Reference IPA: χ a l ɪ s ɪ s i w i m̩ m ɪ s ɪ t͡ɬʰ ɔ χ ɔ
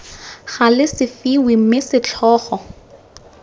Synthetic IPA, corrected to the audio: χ a l ɪ s ɪ f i w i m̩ m ɪ s ɪ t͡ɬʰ ɔː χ ɔ